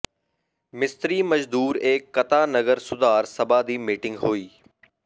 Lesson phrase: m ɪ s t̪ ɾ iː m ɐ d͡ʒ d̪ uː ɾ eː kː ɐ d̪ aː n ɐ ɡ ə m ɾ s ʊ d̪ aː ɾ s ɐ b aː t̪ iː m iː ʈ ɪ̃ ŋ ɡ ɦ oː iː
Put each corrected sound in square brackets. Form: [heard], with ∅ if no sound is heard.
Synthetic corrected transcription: m ɪ s t̪ ɾ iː m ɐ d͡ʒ d̪ uː ɾ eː kː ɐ [t̪] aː n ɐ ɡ ə [∅] ɾ s ʊ d̪ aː ɾ s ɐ b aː [d̪] iː m iː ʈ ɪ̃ ŋ ɡ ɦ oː iː